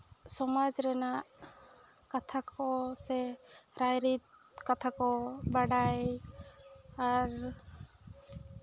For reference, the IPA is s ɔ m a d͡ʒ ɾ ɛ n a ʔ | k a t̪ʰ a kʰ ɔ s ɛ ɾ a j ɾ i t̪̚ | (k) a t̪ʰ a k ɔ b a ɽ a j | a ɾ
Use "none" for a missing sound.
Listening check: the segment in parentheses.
k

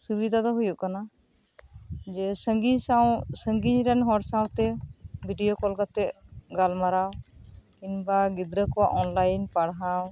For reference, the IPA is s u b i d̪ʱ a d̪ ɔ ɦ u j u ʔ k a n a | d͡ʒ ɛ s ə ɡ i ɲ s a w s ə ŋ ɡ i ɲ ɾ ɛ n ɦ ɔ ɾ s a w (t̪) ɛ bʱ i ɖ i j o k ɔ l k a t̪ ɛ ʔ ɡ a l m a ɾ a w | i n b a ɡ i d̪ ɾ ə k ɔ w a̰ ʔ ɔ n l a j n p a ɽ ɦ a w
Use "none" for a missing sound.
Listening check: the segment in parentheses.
t̪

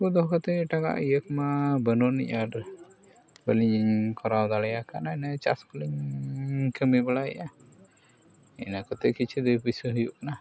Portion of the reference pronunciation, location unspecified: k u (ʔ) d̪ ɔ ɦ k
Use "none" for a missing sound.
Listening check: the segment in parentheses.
none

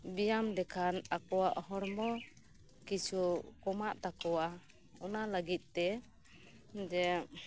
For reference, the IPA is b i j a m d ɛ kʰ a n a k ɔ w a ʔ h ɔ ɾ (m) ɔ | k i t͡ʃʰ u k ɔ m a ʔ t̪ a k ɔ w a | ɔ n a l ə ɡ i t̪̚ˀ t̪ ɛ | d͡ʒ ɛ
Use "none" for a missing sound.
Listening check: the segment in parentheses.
m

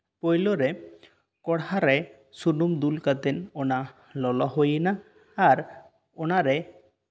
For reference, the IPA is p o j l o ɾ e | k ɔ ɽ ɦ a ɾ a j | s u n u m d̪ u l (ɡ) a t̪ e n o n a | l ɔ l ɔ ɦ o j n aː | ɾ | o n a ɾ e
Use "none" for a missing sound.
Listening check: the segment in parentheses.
k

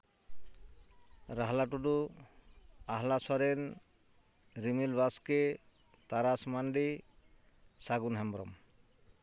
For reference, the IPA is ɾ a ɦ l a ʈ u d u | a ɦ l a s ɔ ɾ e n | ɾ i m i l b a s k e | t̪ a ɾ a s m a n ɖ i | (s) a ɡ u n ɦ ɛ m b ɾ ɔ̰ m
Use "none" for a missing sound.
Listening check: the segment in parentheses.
s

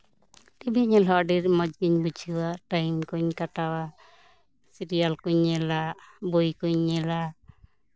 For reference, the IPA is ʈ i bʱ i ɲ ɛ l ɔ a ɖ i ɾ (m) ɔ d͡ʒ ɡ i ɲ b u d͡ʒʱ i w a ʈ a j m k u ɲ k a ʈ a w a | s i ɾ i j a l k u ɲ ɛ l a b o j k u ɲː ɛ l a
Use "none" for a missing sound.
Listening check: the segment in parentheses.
m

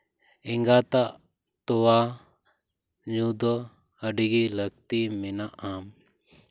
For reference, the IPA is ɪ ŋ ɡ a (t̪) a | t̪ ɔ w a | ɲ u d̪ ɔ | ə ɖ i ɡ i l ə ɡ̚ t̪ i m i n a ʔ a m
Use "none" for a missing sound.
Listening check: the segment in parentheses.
t̪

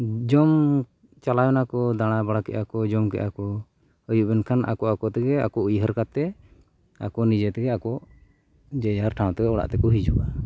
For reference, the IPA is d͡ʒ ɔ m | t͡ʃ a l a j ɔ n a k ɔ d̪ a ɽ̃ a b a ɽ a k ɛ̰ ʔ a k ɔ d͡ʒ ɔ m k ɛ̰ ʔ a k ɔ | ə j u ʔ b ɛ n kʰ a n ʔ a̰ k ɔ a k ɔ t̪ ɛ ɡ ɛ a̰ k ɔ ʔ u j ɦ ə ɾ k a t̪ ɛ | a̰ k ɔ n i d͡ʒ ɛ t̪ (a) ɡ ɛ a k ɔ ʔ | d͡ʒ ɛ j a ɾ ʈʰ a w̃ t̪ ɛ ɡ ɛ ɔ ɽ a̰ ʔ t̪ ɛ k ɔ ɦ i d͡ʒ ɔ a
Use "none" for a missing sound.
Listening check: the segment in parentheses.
ɛ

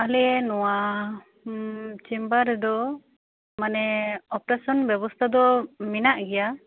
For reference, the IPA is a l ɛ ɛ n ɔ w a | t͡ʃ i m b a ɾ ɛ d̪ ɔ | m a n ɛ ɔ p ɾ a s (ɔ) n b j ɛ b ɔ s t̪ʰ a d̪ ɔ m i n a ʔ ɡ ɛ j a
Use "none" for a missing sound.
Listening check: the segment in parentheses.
ɔ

